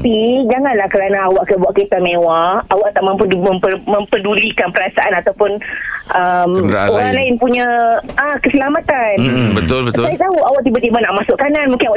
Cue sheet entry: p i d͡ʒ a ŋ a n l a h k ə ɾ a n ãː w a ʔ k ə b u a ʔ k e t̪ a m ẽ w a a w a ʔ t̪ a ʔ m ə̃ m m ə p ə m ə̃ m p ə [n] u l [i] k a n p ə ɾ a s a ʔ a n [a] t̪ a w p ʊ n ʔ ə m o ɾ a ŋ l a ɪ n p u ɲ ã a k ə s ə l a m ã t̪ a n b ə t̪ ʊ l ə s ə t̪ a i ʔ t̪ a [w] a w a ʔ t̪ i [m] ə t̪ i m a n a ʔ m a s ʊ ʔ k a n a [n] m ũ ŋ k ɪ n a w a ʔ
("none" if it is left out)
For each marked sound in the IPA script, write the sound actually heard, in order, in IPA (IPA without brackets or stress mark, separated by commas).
d, i, a, u, b, n